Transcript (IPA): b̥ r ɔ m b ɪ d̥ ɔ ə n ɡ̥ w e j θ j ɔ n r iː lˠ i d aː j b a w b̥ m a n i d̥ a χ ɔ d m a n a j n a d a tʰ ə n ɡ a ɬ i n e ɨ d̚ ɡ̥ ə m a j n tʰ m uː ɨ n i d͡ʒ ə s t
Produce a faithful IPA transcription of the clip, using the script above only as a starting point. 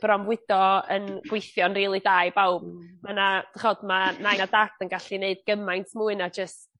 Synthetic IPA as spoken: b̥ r ɔ m w ɪ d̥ ɔ ə n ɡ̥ w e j θ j ɔ n r iː lˠ i d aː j b a w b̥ m a n a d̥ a χ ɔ d m a n a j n a d a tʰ ə n ɡ a ɬ i n e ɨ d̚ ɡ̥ ə m a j n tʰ m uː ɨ n a d͡ʒ ə s t